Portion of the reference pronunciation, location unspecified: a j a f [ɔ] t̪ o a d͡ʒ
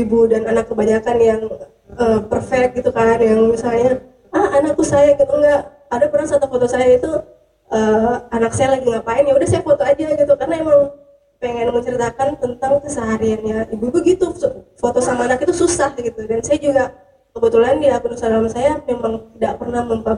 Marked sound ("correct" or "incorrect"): incorrect